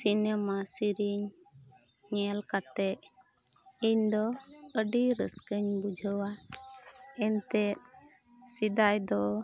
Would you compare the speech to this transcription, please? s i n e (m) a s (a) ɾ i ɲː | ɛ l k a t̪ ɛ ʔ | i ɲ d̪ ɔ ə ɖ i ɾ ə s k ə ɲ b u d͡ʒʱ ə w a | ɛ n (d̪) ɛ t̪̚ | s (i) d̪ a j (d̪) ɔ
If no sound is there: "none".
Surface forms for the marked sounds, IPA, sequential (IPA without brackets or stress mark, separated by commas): m, i, t̪, i, d̪